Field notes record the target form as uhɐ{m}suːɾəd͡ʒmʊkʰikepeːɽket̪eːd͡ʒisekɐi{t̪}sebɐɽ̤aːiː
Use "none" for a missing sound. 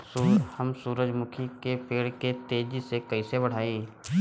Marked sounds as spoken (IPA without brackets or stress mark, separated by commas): m, none